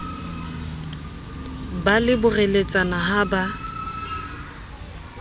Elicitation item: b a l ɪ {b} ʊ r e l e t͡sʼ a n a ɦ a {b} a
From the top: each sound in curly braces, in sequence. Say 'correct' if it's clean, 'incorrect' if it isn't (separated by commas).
correct, correct